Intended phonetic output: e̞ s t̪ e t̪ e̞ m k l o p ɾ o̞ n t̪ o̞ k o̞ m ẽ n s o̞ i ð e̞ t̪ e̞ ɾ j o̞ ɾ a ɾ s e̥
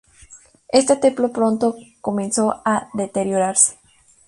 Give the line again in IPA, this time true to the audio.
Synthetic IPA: e̞ s t̪ e t̪ e̞ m p l o p ɾ o̞ n t̪ o̞ k o̞ m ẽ n s o̞ a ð e̞ t̪ e̞ ɾ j o̞ ɾ a ɾ s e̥